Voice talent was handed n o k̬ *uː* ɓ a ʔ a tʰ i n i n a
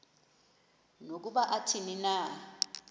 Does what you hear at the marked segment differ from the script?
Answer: yes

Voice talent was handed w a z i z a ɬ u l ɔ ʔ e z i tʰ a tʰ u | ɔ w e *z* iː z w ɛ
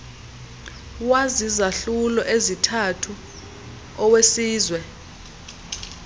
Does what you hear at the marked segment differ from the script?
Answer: yes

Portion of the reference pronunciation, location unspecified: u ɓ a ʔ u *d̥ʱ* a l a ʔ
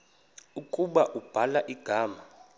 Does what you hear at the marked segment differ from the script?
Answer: yes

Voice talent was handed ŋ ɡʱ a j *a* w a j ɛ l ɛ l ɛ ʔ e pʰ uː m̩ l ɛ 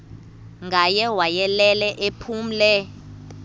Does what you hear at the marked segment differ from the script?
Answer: yes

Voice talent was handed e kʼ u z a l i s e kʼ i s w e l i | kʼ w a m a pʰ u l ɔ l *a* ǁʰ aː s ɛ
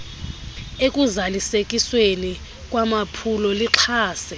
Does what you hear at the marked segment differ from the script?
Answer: yes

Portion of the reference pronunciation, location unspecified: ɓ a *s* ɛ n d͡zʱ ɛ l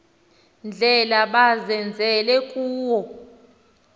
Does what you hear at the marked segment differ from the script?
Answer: yes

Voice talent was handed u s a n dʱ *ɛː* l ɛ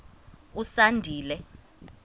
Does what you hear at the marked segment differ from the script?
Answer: yes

